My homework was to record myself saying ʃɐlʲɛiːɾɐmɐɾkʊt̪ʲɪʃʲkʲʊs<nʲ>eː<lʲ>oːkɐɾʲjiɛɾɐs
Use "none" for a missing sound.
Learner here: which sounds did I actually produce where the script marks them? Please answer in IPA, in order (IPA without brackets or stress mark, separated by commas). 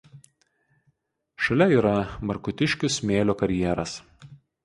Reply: mʲ, lʲ